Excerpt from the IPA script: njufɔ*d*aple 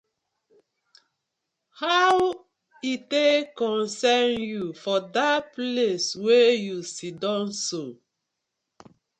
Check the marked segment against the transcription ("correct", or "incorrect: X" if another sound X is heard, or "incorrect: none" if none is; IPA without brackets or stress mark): correct